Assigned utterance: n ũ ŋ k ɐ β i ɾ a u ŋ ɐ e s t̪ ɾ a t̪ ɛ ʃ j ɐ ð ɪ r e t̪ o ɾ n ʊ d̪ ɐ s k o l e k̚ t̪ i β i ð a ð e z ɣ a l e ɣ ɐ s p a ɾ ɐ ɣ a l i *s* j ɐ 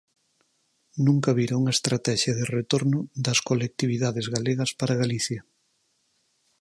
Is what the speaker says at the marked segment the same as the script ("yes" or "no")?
no